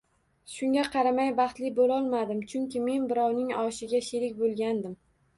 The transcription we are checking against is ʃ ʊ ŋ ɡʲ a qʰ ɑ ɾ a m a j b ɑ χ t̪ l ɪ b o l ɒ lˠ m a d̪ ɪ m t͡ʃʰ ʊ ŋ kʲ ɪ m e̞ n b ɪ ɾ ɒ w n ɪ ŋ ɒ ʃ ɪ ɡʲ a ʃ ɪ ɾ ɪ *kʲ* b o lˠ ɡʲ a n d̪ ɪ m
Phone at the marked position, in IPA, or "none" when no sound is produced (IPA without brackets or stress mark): kʲ